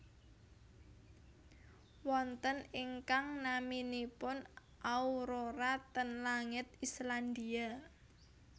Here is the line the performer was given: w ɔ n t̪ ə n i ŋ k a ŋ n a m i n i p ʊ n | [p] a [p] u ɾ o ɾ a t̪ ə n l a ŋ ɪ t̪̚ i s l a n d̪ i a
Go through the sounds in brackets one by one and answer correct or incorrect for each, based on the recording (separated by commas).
incorrect, incorrect